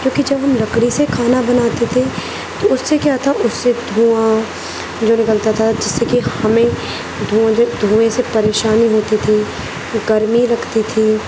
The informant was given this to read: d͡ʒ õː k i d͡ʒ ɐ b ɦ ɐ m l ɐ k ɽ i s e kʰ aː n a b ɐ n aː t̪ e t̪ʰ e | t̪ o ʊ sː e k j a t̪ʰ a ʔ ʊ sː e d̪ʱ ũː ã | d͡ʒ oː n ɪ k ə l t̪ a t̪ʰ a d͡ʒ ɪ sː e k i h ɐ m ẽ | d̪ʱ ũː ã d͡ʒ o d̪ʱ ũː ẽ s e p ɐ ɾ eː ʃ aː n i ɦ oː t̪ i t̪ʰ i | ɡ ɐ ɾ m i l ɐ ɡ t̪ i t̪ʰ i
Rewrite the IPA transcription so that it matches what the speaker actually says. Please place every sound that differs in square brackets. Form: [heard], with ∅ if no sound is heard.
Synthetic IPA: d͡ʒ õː k i d͡ʒ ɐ b ɦ ɐ m l ɐ k ɽ i s e kʰ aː n a b ɐ n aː t̪ e t̪ʰ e | t̪ o ʊ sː e k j a t̪ʰ a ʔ ʊ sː e d̪ʱ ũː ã | d͡ʒ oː n ɪ k ə l t̪ a t̪ʰ a d͡ʒ ɪ sː e k i h ɐ m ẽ | d̪ʱ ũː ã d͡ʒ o d̪ʱ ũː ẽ s e p ɐ ɾ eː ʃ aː n i ɦ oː t̪ i t̪ʰ i | ɡ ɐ ɾ m i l ɐ ɡ t̪ i t̪ʰ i